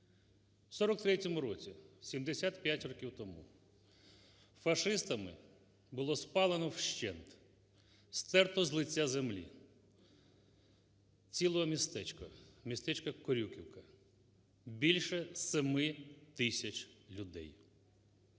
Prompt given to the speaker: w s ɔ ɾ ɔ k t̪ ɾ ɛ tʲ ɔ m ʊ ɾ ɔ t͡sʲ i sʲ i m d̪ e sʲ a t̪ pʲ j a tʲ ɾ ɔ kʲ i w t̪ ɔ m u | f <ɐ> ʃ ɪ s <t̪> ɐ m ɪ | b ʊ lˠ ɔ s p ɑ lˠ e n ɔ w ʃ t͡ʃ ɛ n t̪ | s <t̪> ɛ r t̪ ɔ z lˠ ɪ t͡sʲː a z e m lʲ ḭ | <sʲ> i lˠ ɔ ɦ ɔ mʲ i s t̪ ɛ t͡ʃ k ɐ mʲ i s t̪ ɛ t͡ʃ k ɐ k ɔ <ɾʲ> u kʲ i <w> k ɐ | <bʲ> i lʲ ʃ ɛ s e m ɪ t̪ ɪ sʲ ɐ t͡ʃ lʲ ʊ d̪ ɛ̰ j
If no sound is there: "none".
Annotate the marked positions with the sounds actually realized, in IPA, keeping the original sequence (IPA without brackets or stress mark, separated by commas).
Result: ɐ, t̪, t̪, t͡sʲ, ɾʲ, w, bʲ